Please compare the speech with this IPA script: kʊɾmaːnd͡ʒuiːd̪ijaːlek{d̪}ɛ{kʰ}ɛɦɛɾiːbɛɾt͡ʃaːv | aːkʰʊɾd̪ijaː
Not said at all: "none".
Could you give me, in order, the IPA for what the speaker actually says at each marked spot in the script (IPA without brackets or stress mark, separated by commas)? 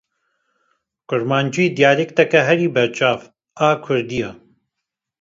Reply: t̪, k